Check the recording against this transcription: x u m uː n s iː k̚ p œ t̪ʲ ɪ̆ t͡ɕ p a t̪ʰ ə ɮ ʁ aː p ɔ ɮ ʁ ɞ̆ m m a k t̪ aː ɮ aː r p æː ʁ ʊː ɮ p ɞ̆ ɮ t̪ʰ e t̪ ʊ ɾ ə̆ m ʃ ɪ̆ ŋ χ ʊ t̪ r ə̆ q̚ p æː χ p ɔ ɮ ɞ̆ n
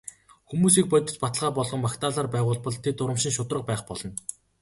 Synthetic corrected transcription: x u m uː s iː k̚ p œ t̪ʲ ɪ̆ t͡ɕ p a t̪ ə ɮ ʁ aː p ɔ ɮ ʁ ɞ̆ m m a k t̪ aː ɮ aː r p æː ʁ ʊː ɮ p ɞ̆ ɮ t̪ʰ e t̪ ʊ ɾ ə̆ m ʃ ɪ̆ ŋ ʃ ʊ t̪ r ə̆ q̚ p æː χ p ɔ ɮ ɞ̆ n